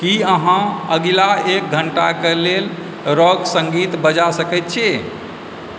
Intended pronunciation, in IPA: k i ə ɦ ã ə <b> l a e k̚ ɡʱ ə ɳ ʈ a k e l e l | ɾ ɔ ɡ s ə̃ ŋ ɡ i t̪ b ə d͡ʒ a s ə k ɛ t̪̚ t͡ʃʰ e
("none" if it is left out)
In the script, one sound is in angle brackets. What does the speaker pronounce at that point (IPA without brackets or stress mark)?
ɡ